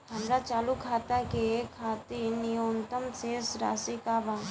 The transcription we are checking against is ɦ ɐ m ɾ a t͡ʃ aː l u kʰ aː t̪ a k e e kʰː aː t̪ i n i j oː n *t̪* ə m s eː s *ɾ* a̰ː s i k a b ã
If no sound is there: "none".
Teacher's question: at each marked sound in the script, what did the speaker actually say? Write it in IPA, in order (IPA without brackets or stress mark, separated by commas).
t̪, ɾ